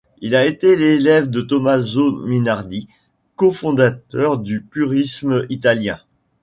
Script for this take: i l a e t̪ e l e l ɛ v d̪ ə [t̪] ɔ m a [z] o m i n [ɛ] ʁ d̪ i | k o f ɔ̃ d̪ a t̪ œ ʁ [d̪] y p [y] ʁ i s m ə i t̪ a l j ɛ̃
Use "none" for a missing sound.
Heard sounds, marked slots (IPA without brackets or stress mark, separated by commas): t̪, z, a, d̪, y